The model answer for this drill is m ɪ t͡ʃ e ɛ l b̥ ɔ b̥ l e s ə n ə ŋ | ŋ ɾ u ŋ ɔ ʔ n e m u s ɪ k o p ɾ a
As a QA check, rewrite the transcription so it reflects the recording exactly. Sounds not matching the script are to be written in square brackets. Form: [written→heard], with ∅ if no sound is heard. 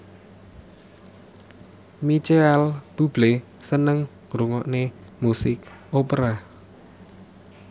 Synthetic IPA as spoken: m [ɪ→i] t͡ʃ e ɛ l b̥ [ɔ→u] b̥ l e s ə n ə ŋ | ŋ ɾ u ŋ ɔ ʔ n e m u s ɪ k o p ɾ a